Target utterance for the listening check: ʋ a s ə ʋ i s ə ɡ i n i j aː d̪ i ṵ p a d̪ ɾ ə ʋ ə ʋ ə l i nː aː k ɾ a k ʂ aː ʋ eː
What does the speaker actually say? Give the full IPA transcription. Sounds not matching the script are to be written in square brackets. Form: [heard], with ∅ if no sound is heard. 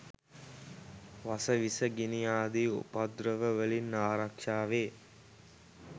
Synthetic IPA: ʋ a s ə ʋ i s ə ɡ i n i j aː d̪ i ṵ p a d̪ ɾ ə ʋ ə ʋ ə l i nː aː [∅] ɾ a k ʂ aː ʋ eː